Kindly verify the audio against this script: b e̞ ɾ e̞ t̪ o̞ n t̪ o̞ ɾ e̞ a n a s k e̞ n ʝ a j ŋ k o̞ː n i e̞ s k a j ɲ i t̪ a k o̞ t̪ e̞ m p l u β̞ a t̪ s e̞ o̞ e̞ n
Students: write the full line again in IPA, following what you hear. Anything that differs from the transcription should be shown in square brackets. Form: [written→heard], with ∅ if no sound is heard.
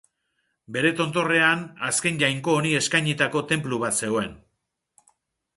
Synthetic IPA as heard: b e̞ ɾ e̞ t̪ o̞ n t̪ o̞ [ɾ→r] e̞ a n a s k e̞ n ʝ a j ŋ k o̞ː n i e̞ s k a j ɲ i t̪ a k o̞ t̪ e̞ m p l u β̞ a t̪ s e̞ o̞ e̞ n